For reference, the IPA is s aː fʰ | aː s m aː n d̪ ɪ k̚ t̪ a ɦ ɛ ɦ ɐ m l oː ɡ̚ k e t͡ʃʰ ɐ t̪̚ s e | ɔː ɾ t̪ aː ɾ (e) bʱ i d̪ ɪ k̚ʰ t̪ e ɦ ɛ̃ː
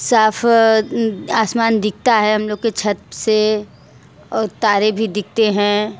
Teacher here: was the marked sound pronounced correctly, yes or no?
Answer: yes